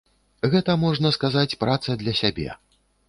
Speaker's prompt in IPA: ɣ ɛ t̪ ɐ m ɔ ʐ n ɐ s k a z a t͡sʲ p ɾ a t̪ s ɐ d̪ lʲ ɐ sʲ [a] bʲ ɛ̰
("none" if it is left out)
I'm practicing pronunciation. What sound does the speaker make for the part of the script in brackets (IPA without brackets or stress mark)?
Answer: a